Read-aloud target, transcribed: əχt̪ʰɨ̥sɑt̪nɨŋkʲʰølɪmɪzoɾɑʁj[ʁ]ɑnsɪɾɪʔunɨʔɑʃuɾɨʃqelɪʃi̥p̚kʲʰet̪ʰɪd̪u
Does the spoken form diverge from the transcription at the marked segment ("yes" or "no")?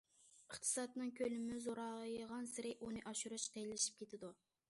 no